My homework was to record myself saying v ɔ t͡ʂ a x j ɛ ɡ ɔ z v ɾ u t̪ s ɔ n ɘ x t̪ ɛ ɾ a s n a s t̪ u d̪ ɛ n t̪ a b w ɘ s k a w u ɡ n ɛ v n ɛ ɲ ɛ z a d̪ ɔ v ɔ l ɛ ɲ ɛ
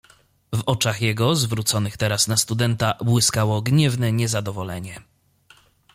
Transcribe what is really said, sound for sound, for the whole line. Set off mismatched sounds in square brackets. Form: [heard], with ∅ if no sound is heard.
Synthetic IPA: v ɔ t͡ʂ a x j ɛ ɡ ɔ z v ɾ u t̪ s ɔ n ɘ x t̪ ɛ ɾ a s n a s t̪ u d̪ ɛ n t̪ a b w ɘ s k a w [ɔ] ɡ [ɲ] ɛ v n ɛ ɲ ɛ z a d̪ ɔ v ɔ l ɛ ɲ ɛ